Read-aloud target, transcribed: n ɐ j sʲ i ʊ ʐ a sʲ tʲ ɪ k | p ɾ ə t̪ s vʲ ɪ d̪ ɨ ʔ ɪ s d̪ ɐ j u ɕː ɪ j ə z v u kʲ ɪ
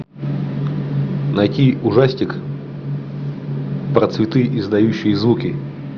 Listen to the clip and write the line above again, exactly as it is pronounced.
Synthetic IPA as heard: n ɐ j tʲ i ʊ ʐ a sʲ tʲ ɪ k | p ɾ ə t̪ s vʲ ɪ t̪ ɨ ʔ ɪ z d̪ ɐ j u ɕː ɪ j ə z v u kʲ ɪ